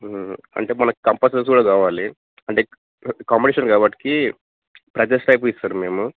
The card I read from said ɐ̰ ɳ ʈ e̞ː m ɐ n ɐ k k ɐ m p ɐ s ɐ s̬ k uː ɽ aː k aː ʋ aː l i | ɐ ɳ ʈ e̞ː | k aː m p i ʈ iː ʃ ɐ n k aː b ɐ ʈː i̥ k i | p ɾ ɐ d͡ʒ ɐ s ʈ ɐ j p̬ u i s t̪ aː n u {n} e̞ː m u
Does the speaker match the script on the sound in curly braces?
no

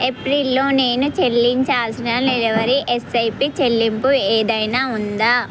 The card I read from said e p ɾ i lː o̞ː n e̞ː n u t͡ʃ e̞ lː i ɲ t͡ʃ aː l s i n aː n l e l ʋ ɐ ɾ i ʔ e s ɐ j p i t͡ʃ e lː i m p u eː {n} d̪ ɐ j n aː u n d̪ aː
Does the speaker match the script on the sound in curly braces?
no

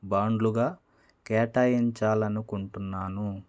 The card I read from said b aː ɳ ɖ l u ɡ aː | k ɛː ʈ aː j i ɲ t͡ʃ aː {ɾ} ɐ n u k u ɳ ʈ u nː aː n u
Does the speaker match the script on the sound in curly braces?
no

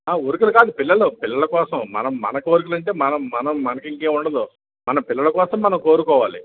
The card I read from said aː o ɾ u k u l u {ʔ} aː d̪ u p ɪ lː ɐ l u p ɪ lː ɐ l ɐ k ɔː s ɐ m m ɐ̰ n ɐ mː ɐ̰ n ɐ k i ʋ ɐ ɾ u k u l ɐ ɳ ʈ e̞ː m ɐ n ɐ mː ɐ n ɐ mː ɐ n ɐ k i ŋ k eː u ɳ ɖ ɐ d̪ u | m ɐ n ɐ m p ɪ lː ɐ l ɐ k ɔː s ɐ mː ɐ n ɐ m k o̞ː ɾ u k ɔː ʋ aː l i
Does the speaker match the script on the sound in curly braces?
no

